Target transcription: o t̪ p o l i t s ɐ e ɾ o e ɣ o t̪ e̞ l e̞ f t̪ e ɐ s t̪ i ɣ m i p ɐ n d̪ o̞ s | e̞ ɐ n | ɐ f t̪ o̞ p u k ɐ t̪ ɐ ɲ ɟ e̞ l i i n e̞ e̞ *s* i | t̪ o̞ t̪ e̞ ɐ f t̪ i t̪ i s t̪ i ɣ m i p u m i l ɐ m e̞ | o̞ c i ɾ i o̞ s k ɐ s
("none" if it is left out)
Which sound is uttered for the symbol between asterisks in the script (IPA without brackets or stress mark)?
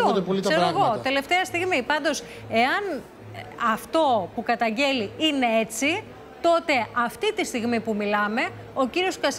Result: t͡s